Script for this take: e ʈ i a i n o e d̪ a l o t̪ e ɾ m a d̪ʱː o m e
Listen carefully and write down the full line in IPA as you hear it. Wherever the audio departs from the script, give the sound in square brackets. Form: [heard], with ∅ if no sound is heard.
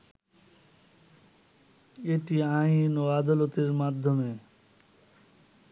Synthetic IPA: e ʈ i a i n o [a] d̪ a l o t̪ e ɾ m a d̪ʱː o m e